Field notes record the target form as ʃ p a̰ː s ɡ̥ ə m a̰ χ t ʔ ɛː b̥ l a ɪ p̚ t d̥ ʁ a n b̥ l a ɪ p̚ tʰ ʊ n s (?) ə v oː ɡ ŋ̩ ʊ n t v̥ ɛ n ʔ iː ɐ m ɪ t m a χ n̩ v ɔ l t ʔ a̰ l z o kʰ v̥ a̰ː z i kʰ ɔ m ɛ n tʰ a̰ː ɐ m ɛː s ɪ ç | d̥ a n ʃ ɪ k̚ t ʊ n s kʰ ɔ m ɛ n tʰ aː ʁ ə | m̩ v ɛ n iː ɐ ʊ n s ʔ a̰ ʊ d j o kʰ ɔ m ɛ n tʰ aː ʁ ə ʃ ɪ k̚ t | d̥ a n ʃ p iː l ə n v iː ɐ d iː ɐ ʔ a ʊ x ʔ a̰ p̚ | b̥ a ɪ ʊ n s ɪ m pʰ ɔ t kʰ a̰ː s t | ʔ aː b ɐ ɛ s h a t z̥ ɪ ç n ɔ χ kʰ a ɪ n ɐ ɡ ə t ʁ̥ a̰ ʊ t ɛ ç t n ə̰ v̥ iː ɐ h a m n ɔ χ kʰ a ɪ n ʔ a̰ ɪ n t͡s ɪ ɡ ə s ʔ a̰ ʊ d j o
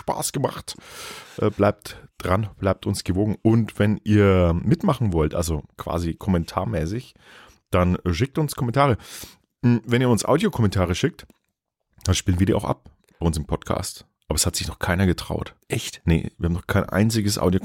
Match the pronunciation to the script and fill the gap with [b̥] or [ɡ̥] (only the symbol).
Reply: ɡ̥